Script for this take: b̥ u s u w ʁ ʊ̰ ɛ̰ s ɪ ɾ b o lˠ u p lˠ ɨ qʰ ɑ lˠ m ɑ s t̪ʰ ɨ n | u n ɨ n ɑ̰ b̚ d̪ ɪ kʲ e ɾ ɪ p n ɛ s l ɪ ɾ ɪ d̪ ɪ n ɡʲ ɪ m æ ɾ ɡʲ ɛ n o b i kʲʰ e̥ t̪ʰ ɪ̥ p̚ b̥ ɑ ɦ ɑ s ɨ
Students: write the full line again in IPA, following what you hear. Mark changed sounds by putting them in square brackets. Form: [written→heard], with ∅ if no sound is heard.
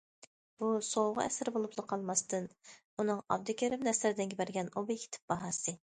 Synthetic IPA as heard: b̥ u s [u→o] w ʁ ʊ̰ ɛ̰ s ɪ ɾ b o lˠ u p lˠ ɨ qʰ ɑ lˠ m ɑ s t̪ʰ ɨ n | u n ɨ [n→ŋ] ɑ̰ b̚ d̪ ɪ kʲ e ɾ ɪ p n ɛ s l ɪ ɾ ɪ d̪ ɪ n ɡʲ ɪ [m→b] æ ɾ ɡʲ ɛ n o b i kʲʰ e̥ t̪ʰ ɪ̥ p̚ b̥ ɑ ɦ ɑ s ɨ